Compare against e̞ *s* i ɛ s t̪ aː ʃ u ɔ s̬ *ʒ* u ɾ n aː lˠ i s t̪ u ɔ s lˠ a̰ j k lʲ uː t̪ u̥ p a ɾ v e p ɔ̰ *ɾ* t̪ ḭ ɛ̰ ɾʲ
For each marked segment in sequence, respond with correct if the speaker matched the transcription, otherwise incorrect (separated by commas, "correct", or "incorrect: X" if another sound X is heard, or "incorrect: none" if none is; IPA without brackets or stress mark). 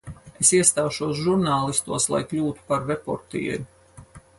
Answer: correct, correct, correct